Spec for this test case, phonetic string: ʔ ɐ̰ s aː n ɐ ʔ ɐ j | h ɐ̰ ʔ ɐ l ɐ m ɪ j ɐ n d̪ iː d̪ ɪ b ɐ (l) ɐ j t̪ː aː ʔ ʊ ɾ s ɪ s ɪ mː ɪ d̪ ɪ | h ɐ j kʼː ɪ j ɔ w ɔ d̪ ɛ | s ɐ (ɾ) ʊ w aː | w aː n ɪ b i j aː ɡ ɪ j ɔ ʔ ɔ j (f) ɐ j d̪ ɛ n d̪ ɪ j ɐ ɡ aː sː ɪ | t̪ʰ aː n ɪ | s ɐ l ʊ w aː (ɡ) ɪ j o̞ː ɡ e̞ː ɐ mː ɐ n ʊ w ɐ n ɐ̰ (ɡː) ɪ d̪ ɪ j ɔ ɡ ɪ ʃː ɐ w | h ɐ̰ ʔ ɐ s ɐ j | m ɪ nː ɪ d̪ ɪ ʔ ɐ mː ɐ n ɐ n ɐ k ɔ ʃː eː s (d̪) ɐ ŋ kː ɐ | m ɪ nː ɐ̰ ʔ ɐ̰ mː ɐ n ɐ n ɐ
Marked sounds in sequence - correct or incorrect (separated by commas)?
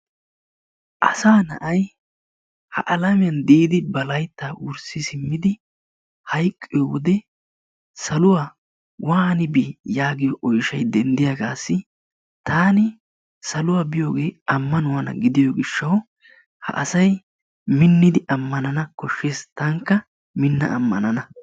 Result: correct, incorrect, incorrect, incorrect, incorrect, incorrect